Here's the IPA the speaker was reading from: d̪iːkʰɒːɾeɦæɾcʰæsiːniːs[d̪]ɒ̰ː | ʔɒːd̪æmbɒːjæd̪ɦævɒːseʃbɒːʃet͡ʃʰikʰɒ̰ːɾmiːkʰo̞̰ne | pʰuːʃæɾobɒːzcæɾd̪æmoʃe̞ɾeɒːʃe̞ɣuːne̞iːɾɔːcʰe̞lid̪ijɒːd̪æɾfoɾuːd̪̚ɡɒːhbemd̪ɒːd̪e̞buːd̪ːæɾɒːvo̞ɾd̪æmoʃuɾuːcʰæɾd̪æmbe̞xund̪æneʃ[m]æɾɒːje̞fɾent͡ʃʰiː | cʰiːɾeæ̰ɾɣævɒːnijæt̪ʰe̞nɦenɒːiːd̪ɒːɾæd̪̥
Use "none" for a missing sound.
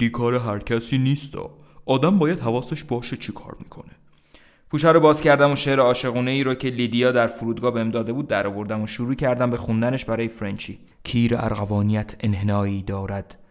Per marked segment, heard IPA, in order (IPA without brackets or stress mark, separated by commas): t̪, b